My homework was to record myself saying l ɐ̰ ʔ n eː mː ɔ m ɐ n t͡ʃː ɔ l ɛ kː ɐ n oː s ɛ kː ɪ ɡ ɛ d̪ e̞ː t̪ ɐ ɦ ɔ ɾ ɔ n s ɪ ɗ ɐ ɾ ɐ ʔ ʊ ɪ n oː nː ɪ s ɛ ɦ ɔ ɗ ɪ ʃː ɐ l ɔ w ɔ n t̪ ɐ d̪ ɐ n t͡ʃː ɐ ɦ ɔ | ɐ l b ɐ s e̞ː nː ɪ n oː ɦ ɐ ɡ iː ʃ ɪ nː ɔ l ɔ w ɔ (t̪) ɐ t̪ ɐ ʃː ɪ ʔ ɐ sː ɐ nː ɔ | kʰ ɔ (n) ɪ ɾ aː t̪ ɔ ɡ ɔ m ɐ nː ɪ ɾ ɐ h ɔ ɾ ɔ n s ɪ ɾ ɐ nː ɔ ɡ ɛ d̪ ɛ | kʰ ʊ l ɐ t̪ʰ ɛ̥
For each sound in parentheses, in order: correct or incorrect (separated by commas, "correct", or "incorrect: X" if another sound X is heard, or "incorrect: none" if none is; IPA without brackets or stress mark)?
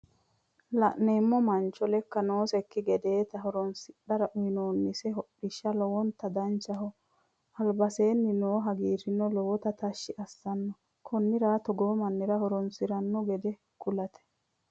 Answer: correct, incorrect: nː